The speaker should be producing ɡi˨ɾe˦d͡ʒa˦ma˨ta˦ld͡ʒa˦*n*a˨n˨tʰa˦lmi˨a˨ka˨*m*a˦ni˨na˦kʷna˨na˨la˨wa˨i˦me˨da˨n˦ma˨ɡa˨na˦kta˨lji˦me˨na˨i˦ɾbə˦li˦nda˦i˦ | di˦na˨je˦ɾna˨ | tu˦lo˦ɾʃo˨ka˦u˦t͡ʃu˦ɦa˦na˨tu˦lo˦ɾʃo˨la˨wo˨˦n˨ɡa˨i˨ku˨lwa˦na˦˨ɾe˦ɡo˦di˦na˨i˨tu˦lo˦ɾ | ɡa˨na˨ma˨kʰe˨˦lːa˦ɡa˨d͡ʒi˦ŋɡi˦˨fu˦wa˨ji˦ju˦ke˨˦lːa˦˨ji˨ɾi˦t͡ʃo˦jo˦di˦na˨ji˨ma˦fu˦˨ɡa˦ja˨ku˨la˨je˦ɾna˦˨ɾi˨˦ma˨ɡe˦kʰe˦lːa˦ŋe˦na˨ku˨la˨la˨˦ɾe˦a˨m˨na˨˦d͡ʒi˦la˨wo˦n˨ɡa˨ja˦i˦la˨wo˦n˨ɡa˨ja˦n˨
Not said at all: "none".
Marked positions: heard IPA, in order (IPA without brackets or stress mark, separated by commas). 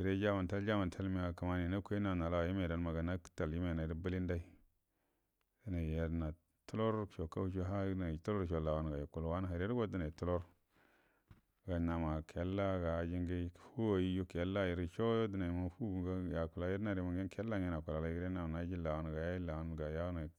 m, m